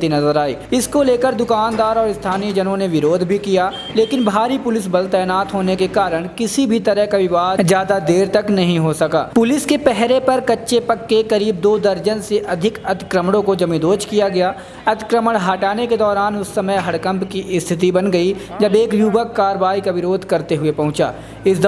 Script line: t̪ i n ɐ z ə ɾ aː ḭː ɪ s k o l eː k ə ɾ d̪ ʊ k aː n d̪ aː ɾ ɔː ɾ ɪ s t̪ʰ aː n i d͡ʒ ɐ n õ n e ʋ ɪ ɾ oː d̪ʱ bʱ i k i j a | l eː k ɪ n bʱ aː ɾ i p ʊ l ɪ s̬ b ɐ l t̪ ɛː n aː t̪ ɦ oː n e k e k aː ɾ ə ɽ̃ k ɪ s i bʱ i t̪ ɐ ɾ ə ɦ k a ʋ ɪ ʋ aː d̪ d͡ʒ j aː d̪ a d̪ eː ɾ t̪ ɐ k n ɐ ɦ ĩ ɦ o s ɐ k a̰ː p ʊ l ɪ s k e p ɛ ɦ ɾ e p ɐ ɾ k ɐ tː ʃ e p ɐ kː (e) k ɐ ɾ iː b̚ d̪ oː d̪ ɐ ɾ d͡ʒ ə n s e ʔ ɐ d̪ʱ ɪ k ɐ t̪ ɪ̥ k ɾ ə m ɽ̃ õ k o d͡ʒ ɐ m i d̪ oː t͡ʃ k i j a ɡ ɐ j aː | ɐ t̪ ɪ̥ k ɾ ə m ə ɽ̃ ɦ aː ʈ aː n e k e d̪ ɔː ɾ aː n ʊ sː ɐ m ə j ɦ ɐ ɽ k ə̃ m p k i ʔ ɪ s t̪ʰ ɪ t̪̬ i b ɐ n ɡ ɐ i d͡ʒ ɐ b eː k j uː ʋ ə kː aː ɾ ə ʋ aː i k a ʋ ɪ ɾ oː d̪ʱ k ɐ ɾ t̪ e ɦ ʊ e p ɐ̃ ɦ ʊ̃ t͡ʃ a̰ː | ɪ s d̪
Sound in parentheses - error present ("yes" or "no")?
no